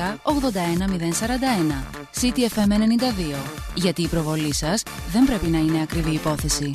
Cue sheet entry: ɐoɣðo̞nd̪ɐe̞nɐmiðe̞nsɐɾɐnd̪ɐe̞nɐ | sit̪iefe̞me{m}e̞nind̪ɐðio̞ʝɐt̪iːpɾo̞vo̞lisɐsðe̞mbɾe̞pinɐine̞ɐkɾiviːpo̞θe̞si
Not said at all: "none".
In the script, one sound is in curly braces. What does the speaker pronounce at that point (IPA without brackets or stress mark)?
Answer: n